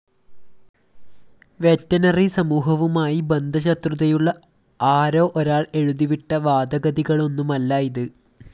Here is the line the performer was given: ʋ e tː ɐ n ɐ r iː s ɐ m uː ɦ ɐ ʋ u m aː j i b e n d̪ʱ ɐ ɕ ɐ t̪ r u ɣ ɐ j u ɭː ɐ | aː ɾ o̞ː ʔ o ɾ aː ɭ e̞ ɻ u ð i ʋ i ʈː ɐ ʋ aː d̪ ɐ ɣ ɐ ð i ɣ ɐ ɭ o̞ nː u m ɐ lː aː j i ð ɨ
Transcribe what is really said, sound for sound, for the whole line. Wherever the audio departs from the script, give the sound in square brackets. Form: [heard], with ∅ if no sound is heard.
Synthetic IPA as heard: ʋ e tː ɐ n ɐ r [i] s ɐ m uː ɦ ɐ ʋ u m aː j i b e n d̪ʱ ɐ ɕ ɐ t̪ r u [ð] ɐ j u ɭː ɐ | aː ɾ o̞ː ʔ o ɾ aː ɭ e̞ ɻ u ð i ʋ i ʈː ɐ ʋ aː d̪ ɐ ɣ ɐ ð i ɣ ɐ ɭ o̞ nː u m ɐ lː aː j i ð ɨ